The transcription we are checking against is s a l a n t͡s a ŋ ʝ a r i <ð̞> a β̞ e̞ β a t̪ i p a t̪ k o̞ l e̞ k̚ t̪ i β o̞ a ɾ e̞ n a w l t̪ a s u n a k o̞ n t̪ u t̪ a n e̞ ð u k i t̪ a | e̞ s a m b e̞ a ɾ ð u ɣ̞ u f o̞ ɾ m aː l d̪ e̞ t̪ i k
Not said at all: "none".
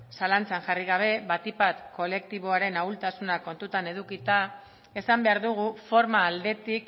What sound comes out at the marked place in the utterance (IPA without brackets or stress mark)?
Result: ɣ̞